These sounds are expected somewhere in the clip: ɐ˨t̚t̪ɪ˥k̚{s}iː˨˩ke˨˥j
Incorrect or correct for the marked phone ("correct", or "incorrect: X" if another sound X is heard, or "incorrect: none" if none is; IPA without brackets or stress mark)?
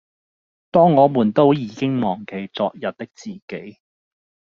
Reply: incorrect: t͡s